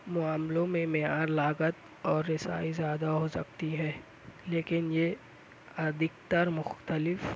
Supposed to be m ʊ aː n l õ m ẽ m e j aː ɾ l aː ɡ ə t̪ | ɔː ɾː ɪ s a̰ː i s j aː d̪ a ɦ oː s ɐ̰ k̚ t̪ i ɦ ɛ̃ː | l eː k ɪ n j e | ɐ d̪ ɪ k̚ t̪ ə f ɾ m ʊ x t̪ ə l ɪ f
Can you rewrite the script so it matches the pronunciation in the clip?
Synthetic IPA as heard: m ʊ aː m l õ m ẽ m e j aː ɾ l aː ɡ ə t̪ | ɔː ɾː ɪ s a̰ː i z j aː d̪ a ɦ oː s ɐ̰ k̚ t̪ i ɦ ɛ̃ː | l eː k ɪ n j e | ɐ d̪ ɪ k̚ t̪ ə ɾ m ʊ x t̪ ə l ɪ f